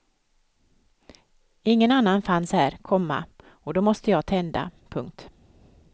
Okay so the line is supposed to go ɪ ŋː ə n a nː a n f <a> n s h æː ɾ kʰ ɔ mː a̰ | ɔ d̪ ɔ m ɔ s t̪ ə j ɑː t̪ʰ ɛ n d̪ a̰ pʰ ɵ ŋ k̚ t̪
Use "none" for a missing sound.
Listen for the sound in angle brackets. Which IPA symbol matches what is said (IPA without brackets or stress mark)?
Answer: a